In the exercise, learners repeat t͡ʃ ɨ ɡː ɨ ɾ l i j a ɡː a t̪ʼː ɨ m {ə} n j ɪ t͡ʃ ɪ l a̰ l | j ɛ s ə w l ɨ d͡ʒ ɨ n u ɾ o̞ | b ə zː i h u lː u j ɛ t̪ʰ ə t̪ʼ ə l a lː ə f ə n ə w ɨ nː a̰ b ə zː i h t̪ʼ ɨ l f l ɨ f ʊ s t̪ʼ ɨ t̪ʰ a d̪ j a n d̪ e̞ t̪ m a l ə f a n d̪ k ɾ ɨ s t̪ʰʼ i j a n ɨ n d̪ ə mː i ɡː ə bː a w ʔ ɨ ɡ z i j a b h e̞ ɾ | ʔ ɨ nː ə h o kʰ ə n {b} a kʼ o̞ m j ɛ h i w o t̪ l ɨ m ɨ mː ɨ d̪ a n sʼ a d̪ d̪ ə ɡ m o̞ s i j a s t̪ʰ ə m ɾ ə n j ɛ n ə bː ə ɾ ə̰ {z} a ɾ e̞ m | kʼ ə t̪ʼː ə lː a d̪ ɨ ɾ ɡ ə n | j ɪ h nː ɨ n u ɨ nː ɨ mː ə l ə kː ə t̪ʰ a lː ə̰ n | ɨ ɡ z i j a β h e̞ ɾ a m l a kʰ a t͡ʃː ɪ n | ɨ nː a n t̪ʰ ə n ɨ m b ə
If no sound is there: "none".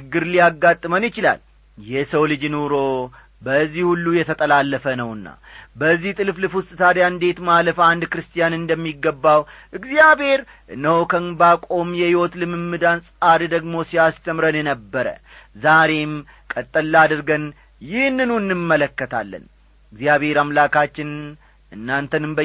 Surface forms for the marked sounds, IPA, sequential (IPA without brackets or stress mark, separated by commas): ə, b, z